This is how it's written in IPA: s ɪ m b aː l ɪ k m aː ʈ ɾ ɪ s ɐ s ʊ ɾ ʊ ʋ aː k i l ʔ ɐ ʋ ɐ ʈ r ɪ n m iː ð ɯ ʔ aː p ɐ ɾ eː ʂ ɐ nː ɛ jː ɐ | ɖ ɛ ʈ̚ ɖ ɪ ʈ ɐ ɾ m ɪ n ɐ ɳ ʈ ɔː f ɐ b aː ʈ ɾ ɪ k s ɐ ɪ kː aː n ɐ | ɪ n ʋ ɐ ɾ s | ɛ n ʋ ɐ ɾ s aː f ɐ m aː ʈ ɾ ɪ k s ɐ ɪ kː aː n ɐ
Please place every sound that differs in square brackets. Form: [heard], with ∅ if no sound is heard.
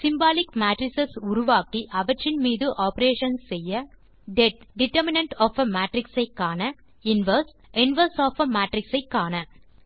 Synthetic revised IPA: s ɪ m b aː l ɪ k m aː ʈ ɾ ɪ s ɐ s ʊ ɾ ʊ ʋ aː k i [∅] ʔ ɐ ʋ ɐ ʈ r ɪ n m iː ð ɯ ʔ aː p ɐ ɾ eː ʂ ɐ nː ɛ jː ɐ | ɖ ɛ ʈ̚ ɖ ɪ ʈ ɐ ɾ m ɪ n ɐ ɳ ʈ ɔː f ɐ [m] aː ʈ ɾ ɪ k s ɐ ɪ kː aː n ɐ | ɪ n ʋ ɐ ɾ s | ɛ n ʋ ɐ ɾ s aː f ɐ m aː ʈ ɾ ɪ k s ɐ ɪ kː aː n ɐ